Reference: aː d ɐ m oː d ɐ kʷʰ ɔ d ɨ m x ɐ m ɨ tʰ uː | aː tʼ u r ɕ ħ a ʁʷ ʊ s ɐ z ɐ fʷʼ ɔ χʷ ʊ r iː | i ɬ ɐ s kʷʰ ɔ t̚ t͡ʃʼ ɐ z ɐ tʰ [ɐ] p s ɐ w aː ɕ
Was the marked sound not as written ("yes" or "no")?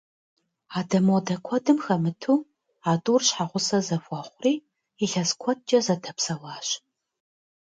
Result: no